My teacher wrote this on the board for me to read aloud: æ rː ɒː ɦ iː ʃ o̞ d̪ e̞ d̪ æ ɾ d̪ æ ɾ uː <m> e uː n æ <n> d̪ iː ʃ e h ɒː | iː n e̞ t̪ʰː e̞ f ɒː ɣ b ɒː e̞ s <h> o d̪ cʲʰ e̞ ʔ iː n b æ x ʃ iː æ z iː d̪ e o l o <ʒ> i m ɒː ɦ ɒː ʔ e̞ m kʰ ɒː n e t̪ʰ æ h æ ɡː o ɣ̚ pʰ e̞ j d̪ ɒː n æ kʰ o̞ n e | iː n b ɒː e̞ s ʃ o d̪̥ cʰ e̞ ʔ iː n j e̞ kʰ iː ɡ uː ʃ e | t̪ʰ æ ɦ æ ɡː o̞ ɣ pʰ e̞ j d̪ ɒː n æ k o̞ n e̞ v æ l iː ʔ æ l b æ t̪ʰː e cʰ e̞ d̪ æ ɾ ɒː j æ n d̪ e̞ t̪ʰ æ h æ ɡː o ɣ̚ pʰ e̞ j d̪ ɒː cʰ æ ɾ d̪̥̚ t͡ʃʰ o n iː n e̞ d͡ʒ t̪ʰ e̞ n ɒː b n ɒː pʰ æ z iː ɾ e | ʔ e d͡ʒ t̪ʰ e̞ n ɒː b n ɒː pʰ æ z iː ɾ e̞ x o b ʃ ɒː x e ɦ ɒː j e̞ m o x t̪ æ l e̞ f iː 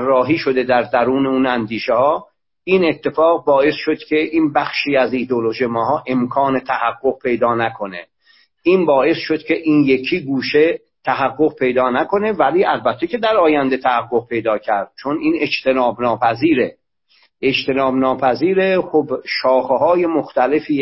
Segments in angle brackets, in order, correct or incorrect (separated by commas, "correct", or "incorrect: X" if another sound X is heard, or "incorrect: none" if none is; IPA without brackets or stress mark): incorrect: n, correct, incorrect: ʃ, correct